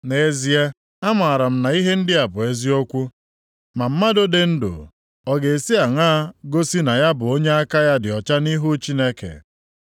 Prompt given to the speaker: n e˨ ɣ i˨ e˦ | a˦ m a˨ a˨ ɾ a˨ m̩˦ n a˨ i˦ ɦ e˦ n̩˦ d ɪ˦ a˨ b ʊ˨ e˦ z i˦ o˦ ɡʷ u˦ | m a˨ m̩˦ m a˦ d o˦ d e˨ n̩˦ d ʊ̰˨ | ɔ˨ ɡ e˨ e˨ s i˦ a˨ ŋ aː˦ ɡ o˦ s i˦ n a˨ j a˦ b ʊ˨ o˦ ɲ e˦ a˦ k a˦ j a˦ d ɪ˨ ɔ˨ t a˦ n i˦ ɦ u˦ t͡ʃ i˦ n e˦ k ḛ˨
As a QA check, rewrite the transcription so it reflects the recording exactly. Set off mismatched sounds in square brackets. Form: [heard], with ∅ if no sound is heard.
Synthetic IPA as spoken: n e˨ [z] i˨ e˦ | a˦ m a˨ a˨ ɾ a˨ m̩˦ n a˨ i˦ ɦ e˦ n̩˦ d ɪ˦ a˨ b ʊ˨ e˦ z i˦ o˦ [kʷ] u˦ | m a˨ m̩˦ m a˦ d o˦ d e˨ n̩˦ d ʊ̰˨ | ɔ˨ ɡ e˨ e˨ s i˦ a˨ ŋ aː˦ ɡ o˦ s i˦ n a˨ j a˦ b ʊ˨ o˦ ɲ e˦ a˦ k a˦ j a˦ d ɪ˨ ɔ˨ [t͡ʃ] a˦ n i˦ ɦ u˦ t͡ʃ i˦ n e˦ k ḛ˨